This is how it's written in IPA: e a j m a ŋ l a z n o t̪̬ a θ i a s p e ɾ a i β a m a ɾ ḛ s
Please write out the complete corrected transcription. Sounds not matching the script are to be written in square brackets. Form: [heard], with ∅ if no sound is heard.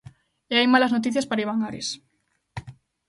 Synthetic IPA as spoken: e a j m a [∅] l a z n o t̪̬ [i] θ [j] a s p [a] ɾ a i β a [ŋ] a ɾ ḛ s